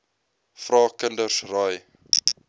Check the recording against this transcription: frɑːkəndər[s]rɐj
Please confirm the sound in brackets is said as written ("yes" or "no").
yes